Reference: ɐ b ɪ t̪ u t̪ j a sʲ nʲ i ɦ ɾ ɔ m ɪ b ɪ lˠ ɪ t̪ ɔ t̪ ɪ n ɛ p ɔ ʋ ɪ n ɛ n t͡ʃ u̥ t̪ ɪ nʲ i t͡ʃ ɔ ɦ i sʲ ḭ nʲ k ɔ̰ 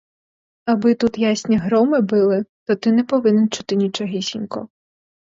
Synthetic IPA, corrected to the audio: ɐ b ɪ t̪ u t̪ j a sʲ nʲ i ɦ ɾ ɔ m ɪ b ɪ lˠ ɪ t̪ ɔ t̪ ɪ n ɛ p ɔ ʋ ɪ n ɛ n t͡ʃ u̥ t̪ ɪ nʲ i t͡ʃ ɔ ɦ i sʲ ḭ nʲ k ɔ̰